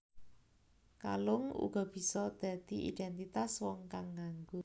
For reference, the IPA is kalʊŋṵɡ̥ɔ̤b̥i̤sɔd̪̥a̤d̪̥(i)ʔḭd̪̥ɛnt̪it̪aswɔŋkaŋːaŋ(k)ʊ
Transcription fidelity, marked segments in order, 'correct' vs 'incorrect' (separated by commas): correct, incorrect